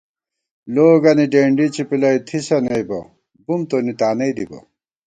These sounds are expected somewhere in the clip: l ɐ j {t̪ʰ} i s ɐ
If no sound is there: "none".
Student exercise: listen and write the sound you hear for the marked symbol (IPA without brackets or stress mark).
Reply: t̪ʰ